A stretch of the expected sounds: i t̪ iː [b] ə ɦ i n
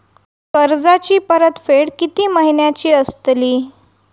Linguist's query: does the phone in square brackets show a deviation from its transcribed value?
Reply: yes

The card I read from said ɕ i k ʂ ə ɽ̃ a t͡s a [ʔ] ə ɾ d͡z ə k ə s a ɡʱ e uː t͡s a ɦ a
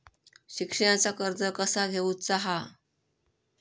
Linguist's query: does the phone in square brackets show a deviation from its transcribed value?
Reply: yes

